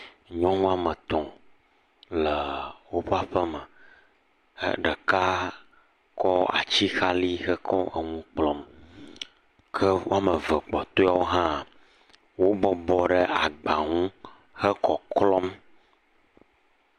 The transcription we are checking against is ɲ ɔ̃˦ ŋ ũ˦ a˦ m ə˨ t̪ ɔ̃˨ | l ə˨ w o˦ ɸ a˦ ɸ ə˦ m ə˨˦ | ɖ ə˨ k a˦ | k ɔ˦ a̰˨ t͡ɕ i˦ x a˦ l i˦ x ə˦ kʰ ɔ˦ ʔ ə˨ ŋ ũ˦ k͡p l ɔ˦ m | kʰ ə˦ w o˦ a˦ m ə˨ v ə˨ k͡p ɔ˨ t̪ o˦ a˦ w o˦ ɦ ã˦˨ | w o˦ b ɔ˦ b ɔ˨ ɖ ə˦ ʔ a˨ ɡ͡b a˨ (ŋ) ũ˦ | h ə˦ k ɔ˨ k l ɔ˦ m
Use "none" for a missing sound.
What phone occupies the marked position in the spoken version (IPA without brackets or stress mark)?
ŋ